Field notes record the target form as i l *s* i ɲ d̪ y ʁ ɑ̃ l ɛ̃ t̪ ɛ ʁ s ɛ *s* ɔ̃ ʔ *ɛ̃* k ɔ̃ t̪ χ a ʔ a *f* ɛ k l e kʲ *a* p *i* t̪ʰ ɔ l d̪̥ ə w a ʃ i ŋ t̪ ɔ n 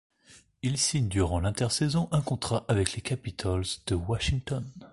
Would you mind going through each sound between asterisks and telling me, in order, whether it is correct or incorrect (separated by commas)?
correct, incorrect, correct, incorrect, correct, correct